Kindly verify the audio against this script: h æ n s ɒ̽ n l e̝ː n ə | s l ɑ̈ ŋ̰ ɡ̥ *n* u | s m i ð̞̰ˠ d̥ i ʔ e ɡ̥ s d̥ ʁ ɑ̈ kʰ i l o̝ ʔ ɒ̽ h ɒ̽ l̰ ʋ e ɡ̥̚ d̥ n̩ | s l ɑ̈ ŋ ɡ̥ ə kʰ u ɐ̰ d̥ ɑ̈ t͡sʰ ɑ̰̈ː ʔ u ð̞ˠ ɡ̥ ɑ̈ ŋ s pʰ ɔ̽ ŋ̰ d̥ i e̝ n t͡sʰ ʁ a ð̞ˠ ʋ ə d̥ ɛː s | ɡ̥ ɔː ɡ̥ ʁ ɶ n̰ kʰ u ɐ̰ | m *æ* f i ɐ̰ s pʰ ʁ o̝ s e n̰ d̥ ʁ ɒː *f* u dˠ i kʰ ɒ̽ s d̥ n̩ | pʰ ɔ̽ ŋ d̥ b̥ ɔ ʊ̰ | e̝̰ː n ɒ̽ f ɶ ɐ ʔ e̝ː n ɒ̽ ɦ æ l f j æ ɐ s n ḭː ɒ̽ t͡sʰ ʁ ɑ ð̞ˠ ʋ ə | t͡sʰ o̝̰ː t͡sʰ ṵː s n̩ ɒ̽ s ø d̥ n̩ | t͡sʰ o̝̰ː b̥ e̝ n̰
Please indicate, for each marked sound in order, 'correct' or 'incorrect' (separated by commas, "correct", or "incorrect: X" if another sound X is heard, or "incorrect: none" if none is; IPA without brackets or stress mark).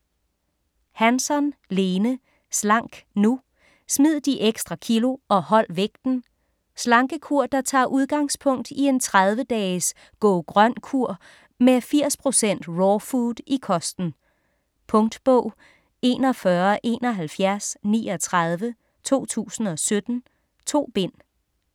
correct, incorrect: e, correct